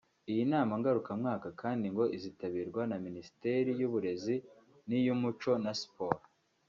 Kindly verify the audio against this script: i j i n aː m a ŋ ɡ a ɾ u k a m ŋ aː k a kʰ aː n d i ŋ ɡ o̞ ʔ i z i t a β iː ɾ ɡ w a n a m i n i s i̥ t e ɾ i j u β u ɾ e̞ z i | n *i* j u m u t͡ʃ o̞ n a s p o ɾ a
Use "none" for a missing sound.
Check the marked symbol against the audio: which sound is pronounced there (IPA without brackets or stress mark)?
i